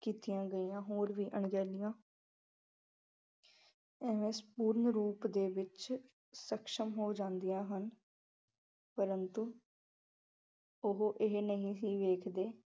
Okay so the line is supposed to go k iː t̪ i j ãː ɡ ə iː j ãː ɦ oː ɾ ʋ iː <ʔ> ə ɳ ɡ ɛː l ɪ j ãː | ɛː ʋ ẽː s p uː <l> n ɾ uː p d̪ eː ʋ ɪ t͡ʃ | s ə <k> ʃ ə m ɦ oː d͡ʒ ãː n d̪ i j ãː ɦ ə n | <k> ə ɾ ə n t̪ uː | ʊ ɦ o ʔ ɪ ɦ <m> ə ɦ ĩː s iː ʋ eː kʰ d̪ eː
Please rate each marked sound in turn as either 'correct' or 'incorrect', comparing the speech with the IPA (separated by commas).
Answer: correct, incorrect, correct, incorrect, incorrect